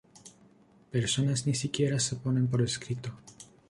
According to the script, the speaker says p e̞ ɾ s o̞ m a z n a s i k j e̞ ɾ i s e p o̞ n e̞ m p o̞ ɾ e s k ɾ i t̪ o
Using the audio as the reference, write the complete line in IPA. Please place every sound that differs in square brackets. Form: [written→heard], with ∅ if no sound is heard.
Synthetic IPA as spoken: p e̞ ɾ s o̞ [m→n] a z n [a→i] s i k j e̞ ɾ [i→a] s e p o̞ n e̞ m p o̞ ɾ e s k ɾ i t̪ o